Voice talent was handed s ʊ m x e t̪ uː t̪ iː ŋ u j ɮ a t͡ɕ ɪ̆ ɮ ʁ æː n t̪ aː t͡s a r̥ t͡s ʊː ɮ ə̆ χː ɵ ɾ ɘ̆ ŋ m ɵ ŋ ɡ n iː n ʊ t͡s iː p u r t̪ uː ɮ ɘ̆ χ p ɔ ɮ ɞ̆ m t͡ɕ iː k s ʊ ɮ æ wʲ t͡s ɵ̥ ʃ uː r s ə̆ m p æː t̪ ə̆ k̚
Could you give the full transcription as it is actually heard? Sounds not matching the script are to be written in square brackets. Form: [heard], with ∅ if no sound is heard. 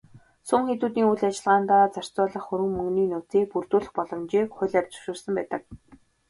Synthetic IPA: s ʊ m x e t̪ uː t̪ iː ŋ u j ɮ a t͡ɕ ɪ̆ ɮ ʁ [aː] n t̪ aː t͡s a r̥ t͡s ʊː ɮ ə̆ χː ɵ ɾ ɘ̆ ŋ m ɵ ŋ ɡ n iː n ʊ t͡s iː p u r t̪ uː ɮ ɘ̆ χ p ɔ ɮ ɞ̆ m t͡ɕ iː k [χ] ʊ ɮ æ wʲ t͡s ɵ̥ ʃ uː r s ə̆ m p æː t̪ ə̆ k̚